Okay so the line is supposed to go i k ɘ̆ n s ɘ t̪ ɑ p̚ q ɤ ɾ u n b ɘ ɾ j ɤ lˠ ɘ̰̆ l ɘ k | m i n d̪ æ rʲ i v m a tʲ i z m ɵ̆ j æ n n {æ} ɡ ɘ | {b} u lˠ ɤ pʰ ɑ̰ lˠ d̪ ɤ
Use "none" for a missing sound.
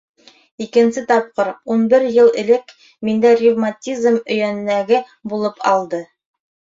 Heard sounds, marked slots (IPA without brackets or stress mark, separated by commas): æ, b